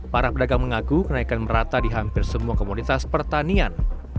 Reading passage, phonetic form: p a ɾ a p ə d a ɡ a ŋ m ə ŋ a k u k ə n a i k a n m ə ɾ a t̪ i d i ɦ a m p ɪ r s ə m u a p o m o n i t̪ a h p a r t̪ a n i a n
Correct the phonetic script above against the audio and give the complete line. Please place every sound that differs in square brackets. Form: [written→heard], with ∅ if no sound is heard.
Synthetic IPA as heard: p a ɾ a p ə d a ɡ a ŋ m ə ŋ a k u k ə n a i k a n m ə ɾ a t̪ [i→a] d i ɦ a m p ɪ r s ə m u a [p→k] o m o n i t̪ a [h→s] p [a→ə] r t̪ a n i a n